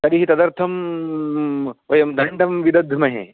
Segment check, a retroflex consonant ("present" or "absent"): present